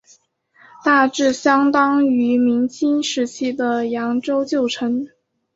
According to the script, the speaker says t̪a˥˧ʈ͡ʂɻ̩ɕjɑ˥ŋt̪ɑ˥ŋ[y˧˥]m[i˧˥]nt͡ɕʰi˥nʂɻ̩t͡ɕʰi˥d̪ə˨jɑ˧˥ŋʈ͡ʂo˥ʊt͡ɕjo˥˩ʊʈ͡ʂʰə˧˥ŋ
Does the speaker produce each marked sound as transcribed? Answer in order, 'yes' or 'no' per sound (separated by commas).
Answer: yes, yes